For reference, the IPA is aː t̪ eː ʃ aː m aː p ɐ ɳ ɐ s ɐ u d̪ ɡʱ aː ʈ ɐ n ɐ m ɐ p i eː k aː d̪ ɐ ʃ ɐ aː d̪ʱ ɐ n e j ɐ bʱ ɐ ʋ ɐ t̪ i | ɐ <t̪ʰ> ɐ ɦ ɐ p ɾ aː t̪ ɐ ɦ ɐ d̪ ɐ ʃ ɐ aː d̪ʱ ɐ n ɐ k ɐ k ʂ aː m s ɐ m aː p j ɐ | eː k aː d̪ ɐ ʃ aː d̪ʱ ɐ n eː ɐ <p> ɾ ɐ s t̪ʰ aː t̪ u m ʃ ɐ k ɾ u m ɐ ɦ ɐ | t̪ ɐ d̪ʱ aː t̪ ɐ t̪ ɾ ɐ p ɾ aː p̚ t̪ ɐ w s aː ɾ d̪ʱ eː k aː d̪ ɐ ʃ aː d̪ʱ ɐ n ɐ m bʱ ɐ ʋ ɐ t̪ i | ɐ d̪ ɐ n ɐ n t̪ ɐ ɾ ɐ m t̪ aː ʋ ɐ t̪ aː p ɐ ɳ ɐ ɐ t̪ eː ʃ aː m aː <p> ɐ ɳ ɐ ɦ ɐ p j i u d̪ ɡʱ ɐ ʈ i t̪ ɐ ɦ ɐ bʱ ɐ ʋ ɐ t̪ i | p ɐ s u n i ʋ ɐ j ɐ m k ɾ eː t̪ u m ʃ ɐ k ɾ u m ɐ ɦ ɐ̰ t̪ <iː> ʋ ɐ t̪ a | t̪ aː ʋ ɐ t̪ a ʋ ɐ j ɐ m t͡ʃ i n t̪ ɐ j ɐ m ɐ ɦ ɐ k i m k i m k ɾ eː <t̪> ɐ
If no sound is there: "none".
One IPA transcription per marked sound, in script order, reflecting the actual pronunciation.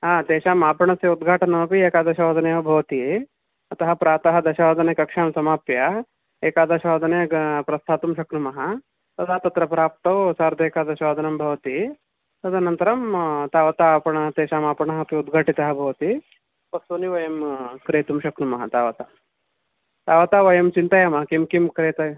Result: t̪, p, p, aː, t̪

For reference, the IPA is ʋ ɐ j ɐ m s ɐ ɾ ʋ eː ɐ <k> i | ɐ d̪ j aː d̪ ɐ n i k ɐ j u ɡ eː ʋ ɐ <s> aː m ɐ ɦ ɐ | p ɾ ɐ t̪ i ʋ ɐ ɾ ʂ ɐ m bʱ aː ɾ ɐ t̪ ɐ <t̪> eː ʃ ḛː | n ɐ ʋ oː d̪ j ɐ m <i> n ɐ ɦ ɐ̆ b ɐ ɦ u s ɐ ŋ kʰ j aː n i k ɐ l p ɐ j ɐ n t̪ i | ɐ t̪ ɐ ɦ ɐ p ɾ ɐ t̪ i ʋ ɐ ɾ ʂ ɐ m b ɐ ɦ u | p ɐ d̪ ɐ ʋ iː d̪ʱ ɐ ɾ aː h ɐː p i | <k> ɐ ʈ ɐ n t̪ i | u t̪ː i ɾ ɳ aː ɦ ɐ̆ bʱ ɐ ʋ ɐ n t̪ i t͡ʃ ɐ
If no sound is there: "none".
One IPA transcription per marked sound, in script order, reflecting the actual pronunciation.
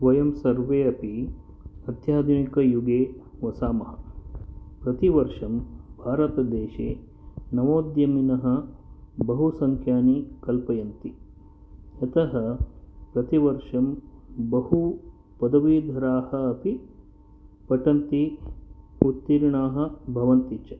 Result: p, s, d̪, i, p

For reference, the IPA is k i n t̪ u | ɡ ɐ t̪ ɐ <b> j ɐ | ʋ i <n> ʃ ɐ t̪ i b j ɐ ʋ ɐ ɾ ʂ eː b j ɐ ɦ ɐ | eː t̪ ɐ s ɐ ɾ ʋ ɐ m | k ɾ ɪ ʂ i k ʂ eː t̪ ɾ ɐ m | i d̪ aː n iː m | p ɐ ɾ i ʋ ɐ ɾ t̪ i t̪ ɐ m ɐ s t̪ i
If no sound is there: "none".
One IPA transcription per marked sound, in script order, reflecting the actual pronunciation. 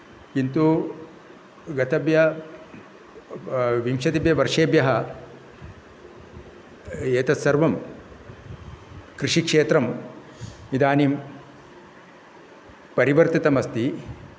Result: b, m

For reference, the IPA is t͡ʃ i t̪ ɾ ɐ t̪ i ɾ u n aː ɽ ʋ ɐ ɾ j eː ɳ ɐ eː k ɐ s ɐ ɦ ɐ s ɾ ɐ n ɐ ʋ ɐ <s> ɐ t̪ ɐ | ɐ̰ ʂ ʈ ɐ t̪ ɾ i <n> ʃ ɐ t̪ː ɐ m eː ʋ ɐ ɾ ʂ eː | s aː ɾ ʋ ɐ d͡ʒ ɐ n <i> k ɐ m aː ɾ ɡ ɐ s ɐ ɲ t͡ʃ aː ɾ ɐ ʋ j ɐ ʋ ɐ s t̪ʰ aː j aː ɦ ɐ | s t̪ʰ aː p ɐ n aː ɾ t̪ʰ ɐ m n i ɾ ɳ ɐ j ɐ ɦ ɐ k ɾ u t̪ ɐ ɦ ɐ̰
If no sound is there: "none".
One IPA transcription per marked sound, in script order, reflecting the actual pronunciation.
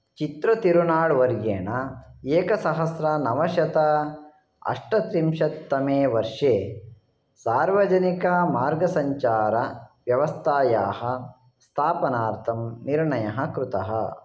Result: ʃ, m, i

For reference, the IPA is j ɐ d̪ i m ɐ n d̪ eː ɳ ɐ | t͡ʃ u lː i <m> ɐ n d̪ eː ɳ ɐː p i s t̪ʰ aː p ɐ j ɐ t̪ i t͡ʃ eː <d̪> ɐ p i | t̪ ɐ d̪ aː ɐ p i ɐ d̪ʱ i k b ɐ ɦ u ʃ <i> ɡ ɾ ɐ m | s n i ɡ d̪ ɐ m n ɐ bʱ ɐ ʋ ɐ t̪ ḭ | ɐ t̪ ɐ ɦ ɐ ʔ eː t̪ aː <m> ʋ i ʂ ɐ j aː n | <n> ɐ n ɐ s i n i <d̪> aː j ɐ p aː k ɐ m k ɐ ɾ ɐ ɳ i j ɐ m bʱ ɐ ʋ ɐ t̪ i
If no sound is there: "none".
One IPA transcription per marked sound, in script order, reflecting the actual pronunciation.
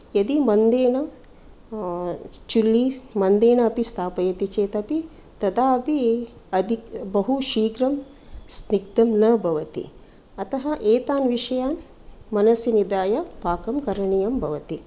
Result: m, t̪, iː, n, m, d̪

